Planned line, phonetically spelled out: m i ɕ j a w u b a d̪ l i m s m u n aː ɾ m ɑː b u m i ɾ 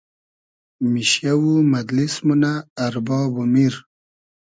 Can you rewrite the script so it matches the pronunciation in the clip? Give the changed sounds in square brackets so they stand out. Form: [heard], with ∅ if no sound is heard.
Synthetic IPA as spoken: m i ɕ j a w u [m] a d̪ l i [∅] s m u n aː ɾ [b] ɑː b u m i ɾ